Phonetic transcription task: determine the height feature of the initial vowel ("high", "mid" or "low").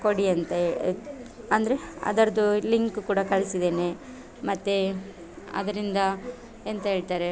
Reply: mid